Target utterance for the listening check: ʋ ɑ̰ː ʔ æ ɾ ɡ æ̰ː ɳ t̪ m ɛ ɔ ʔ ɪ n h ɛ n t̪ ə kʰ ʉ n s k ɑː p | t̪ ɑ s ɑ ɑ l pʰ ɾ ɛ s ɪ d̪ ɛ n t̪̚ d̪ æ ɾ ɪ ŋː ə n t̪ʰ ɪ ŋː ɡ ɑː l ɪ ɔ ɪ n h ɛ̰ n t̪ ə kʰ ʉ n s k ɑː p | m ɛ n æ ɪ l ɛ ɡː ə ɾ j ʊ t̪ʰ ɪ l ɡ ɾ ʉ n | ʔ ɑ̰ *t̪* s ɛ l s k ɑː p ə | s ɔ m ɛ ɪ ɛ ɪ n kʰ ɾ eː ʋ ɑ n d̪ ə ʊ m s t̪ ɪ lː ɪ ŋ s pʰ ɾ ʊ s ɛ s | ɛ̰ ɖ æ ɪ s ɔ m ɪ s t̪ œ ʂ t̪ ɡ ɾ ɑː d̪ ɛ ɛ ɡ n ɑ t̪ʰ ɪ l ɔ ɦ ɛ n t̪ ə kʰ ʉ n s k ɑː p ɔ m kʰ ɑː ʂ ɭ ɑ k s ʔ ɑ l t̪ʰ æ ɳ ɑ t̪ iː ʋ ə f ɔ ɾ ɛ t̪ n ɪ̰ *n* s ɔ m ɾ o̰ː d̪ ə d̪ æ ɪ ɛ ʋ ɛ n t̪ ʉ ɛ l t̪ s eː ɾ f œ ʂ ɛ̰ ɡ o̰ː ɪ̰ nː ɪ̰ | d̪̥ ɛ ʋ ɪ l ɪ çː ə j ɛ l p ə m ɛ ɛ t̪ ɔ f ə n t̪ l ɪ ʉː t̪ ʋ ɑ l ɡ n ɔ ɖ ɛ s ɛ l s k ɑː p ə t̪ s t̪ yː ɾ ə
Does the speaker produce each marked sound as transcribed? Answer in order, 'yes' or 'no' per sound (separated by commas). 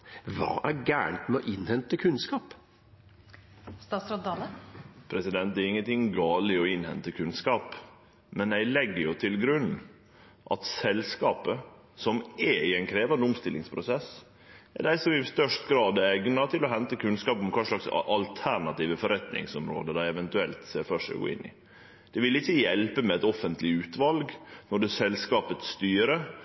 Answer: yes, no